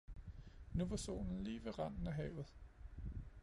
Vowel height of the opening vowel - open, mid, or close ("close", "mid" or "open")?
close